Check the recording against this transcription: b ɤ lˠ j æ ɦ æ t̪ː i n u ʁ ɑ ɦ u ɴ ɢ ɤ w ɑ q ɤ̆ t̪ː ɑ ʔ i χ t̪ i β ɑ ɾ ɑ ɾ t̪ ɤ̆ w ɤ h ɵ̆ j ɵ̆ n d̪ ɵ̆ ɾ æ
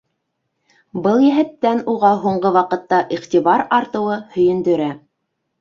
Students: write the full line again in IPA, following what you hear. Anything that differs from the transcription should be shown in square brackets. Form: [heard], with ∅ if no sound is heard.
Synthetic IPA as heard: b ɤ lˠ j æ ɦ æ t̪ː [æ] n u ʁ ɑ ɦ u ɴ ɢ ɤ w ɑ q ɤ̆ t̪ː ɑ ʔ i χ t̪ i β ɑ ɾ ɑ ɾ t̪ ɤ̆ w ɤ h ɵ̆ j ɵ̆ n d̪ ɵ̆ ɾ æ